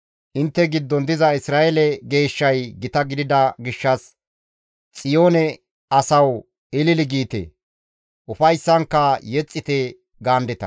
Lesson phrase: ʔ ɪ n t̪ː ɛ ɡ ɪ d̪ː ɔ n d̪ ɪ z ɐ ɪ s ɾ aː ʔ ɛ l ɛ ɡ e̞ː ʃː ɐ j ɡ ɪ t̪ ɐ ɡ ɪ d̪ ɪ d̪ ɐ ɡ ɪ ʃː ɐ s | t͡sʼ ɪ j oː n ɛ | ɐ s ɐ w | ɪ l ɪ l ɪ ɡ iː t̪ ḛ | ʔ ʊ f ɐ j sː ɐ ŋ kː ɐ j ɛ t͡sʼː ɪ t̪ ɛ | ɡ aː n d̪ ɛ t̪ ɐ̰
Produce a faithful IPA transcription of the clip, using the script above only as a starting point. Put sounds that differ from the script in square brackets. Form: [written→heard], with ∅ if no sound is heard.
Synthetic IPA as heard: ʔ ɪ n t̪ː ɛ ɡ ɪ d̪ː ɔ n d̪ ɪ z ɐ ɪ s ɾ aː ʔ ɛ l ɛ ɡ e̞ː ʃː ɐ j ɡ ɪ t̪ ɐ ɡ ɪ d̪ ɪ d̪ ɐ ɡ ɪ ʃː ɐ s | t͡sʼ ɪ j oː n ɛ | ɐ s ɐ w | ɪ l ɪ l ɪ ɡ iː t̪ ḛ | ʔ ʊ f ɐ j sː ɐ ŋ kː ɐ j ɛ t͡sʼː ɪ t̪ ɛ | ɡ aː n d̪ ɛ t̪ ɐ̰